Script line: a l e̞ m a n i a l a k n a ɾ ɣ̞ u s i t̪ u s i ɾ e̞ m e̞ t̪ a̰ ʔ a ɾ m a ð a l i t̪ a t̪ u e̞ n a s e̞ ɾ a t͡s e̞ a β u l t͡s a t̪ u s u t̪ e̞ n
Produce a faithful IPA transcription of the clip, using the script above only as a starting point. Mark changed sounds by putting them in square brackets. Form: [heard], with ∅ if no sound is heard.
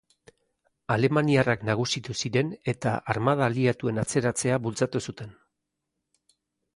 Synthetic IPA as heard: a l e̞ m a n i a [r] a k n a [∅] ɣ̞ u s i t̪ u s i ɾ e̞ [n] e̞ t̪ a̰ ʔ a ɾ m a ð a l i [∅] a t̪ u e̞ n a [t͡s] e̞ ɾ a t͡s e̞ a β u l t͡s a t̪ u s u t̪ e̞ n

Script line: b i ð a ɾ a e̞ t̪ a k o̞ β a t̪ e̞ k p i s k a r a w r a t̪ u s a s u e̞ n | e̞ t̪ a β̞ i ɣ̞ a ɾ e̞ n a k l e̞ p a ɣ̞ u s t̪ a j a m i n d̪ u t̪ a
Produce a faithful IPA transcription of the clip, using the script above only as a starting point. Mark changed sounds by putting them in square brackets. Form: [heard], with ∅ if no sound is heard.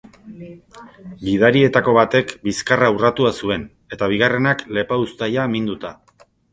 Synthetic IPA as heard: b i ð a ɾ [i] e̞ t̪ a k o̞ β a t̪ e̞ k [b] i s k a r a [u] r a t̪ u [∅] a s u e̞ n | e̞ t̪ a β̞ i ɣ̞ a [r] e̞ n a k l e̞ p a [∅] u s t̪ a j a m i n d̪ u t̪ a

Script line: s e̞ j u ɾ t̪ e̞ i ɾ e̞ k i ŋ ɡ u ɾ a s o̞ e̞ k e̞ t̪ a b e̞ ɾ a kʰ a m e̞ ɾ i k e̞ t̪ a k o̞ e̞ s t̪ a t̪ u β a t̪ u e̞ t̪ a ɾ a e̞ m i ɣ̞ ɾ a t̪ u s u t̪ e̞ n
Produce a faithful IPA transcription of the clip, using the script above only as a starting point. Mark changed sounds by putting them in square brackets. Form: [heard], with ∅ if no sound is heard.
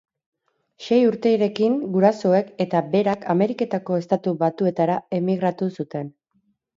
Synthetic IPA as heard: [ʃ] e̞ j u ɾ t̪ e̞ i ɾ e̞ k i ŋ ɡ u ɾ a s o̞ e̞ k e̞ t̪ a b e̞ ɾ a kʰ a m e̞ ɾ i k e̞ t̪ a k o̞ e̞ s t̪ a t̪ u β a t̪ u e̞ t̪ a ɾ a e̞ m i ɣ̞ ɾ a t̪ u s u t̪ e̞ n

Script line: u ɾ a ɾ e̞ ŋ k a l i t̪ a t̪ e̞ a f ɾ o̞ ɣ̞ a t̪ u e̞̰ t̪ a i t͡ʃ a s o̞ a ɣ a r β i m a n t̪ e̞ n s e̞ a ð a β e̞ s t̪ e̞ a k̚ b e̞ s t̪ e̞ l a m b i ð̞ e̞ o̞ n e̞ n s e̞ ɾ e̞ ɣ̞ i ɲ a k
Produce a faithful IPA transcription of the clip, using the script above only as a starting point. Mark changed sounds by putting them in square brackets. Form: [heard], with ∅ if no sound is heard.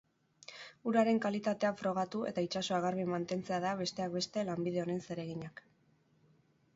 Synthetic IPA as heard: u ɾ a ɾ e̞ ŋ k a l i t̪ a t̪ e̞ a f ɾ o̞ ɣ̞ a t̪ u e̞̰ t̪ a i t͡ʃ a s o̞ a ɣ a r β i m a n t̪ e̞ n [t͡s] e̞ a ð a β e̞ s t̪ e̞ a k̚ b e̞ s t̪ e̞ l a m b i ð̞ e̞ o̞ n e̞ n s e̞ ɾ e̞ ɣ̞ i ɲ a k

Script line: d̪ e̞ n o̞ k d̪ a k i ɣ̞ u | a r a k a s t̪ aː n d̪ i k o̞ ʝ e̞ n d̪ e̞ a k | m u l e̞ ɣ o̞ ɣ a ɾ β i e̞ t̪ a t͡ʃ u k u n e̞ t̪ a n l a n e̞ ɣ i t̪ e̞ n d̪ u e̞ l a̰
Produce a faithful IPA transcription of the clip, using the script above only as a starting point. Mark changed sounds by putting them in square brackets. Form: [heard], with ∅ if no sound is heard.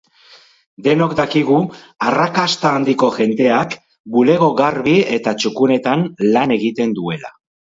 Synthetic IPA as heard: d̪ e̞ n o̞ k d̪ a k i ɣ̞ u | a r a k a s t̪ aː n d̪ i k o̞ ʝ e̞ n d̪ e̞ a k | [b] u l e̞ ɣ o̞ ɣ a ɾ β i e̞ t̪ a t͡ʃ u k u n e̞ t̪ a n l a n e̞ ɣ i t̪ e̞ n d̪ u e̞ l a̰

